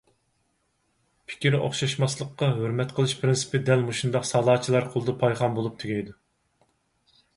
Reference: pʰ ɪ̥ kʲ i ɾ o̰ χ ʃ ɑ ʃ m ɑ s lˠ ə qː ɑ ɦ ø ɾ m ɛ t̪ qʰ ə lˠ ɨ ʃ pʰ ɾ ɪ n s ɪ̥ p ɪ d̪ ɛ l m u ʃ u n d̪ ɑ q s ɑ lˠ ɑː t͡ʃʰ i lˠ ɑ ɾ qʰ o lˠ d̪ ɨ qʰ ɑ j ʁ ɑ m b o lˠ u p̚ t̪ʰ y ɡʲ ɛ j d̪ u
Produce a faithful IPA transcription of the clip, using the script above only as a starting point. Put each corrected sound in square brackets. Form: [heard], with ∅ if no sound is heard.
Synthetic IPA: pʰ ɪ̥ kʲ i ɾ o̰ χ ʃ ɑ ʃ m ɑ s lˠ ə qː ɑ ɦ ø ɾ m ɛ t̪ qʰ ə lˠ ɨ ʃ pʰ ɾ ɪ n s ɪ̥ p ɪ d̪ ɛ l m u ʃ u n d̪ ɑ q s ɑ lˠ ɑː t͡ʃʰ i lˠ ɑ ɾ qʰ o lˠ d̪ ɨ [pʰ] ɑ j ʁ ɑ m b o lˠ u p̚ t̪ʰ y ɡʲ ɛ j d̪ u